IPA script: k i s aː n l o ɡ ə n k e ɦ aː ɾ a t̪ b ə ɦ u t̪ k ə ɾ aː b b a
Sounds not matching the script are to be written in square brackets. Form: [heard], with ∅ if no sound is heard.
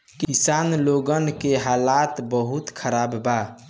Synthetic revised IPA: k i s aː n l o ɡ ə n k e ɦ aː [l] a t̪ b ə ɦ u t̪ [kʰ] ə ɾ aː b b a